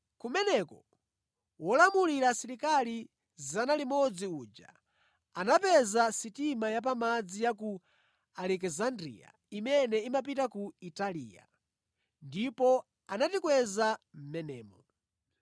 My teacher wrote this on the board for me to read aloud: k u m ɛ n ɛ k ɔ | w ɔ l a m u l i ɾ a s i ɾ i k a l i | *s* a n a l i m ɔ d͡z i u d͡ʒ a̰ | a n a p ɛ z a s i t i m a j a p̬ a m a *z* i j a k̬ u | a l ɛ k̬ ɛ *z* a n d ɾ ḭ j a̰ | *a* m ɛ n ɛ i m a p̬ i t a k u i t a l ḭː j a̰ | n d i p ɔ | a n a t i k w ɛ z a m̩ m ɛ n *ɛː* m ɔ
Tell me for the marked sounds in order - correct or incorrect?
incorrect: z, incorrect: d͡z, correct, incorrect: i, correct

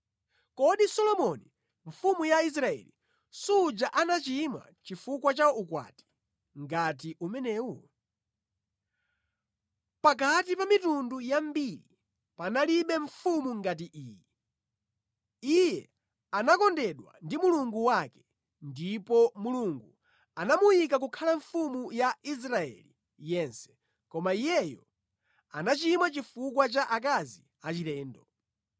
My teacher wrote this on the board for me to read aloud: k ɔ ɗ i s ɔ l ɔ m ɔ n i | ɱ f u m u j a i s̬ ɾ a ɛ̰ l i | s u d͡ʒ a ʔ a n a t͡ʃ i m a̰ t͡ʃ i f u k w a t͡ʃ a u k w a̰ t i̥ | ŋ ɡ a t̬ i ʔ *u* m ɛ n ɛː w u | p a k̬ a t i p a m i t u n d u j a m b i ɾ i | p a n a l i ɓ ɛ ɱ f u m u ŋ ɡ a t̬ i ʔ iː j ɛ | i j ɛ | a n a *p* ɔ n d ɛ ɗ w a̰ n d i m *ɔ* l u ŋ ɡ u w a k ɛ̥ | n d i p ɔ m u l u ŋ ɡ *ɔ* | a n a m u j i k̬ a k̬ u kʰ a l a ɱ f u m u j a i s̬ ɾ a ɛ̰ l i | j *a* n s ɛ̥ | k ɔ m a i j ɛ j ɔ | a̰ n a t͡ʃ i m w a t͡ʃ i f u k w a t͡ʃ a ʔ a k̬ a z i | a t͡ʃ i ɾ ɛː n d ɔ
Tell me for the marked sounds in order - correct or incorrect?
correct, incorrect: k, incorrect: u, incorrect: u, incorrect: ɛ

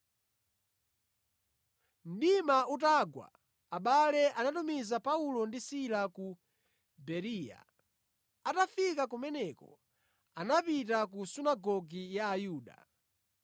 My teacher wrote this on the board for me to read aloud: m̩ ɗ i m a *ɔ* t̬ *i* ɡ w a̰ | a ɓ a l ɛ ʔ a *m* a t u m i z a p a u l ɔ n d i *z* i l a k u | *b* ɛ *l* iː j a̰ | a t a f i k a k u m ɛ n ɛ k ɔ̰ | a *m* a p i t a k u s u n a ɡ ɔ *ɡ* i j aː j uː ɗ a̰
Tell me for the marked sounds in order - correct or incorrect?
incorrect: u, incorrect: a, incorrect: n, incorrect: s, correct, incorrect: ɾ, incorrect: n, correct

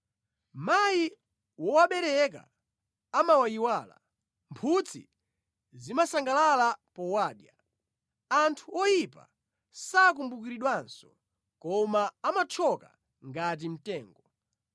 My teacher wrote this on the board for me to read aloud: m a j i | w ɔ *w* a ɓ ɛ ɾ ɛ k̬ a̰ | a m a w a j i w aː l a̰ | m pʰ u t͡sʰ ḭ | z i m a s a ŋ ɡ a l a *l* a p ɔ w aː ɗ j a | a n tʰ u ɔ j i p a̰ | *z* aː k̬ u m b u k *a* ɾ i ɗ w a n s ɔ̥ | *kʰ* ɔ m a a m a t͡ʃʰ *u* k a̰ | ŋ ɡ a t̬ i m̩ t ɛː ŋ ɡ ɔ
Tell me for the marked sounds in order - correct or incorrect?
correct, correct, incorrect: s, incorrect: i, incorrect: k, incorrect: ɔ

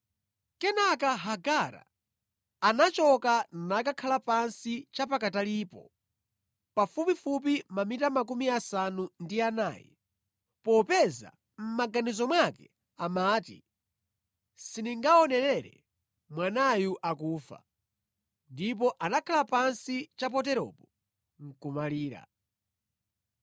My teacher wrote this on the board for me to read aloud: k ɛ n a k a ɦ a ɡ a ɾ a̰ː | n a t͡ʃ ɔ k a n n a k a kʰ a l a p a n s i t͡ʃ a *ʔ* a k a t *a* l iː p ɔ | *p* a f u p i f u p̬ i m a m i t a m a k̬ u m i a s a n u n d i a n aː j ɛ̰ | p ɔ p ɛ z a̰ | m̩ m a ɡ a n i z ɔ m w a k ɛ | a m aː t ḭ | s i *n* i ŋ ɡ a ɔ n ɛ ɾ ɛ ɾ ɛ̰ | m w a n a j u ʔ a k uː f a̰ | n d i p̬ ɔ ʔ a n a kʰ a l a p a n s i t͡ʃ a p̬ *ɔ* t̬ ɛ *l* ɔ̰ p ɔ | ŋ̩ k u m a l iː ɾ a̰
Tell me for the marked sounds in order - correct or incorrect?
incorrect: p, correct, correct, correct, correct, incorrect: ɾ

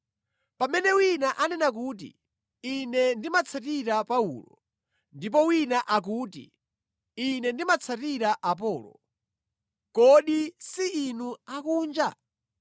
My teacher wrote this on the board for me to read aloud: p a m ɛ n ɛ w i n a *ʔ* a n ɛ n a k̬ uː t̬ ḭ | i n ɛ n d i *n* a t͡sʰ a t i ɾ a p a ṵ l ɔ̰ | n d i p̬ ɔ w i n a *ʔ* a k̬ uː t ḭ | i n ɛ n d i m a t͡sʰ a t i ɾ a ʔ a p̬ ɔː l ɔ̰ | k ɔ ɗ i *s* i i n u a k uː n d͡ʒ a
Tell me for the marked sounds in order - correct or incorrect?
correct, incorrect: m, correct, correct

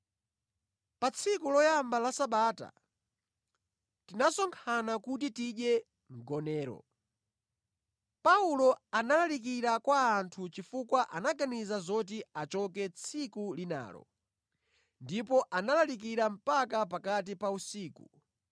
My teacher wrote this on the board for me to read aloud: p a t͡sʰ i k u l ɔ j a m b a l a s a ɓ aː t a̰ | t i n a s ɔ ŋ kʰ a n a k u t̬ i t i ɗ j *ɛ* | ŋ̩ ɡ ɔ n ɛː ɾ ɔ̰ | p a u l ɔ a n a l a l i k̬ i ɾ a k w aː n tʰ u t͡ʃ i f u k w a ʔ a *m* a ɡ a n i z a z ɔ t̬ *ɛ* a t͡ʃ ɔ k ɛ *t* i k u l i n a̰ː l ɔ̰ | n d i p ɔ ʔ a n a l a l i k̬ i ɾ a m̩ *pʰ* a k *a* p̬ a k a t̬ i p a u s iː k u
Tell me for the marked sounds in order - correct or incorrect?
correct, incorrect: n, incorrect: i, incorrect: t͡sʰ, incorrect: p, correct

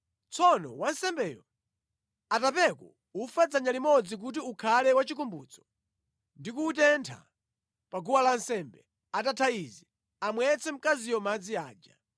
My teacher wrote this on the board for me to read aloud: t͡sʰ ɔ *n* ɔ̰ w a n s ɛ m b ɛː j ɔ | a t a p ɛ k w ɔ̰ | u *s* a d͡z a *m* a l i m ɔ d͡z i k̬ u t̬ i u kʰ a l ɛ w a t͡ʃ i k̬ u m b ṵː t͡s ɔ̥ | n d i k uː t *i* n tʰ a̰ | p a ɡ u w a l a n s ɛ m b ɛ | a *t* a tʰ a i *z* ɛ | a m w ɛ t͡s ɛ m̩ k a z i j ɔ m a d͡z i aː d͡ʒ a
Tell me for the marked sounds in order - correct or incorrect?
correct, incorrect: f, incorrect: ɲ, incorrect: ɛ, correct, correct

